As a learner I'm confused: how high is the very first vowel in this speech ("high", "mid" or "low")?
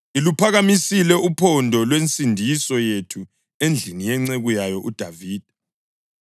high